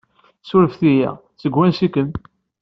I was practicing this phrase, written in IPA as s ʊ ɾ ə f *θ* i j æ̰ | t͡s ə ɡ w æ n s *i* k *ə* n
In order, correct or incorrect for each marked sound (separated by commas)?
correct, correct, correct